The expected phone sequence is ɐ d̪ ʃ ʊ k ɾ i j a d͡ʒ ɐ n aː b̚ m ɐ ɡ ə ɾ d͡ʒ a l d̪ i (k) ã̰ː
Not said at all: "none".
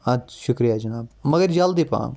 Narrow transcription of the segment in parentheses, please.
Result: p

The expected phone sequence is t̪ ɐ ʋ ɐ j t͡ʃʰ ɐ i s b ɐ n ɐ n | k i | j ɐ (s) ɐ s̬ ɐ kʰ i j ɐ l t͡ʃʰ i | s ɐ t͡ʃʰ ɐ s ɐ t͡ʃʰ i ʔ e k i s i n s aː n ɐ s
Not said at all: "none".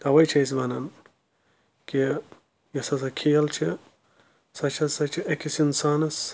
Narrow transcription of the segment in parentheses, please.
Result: s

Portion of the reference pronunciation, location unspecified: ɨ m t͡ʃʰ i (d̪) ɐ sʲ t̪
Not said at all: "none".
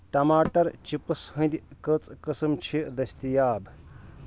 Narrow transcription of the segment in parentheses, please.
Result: d̪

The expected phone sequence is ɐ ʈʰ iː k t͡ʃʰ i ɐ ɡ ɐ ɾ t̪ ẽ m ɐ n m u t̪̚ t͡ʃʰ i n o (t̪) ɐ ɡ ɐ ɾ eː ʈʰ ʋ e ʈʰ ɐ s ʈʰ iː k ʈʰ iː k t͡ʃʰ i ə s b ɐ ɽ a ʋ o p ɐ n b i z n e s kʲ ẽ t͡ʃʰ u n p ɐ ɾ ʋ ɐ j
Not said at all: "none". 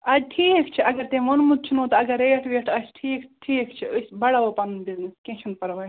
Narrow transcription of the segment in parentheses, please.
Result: t̪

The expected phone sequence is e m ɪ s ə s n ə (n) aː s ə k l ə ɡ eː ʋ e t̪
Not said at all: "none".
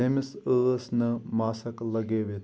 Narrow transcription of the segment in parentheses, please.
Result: m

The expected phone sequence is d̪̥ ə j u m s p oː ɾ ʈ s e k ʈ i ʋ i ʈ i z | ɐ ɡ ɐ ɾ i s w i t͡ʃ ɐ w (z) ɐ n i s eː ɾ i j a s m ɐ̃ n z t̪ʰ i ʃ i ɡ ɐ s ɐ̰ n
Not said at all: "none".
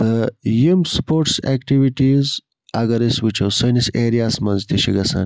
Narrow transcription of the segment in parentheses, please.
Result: s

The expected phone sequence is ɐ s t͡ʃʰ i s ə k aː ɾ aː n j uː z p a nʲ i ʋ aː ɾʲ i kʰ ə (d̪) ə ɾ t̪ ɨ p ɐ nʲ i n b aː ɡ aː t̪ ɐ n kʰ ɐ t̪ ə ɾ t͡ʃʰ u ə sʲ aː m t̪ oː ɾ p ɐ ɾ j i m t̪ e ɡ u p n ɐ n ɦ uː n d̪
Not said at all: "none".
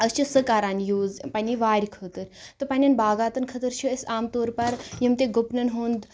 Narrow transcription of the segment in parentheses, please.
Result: t̪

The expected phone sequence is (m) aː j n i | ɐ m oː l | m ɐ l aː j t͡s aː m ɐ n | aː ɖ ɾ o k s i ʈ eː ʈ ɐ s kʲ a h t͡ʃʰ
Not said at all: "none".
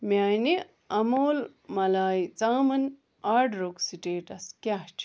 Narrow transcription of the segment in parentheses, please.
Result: m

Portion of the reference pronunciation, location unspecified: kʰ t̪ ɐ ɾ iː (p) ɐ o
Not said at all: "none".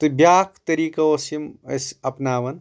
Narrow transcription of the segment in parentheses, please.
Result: k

